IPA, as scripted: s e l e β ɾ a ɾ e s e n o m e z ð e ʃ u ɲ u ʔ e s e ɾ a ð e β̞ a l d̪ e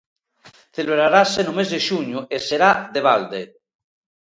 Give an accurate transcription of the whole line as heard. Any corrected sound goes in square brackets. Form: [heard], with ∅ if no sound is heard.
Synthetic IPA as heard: [θ] e l e β ɾ a ɾ [a] s e n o m e z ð e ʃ u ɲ u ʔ e s e ɾ a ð e β̞ a l d̪ e